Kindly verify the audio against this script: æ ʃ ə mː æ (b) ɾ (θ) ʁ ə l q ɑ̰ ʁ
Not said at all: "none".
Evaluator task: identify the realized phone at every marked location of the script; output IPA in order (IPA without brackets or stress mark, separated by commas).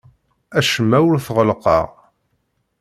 w, θ